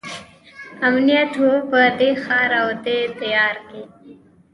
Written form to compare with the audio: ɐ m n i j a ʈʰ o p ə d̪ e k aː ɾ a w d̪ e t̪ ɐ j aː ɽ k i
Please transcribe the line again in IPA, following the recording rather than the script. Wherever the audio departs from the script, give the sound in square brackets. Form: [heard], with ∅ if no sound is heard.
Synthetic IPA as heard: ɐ m n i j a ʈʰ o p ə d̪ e [x] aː ɾ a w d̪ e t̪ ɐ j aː [ɾ] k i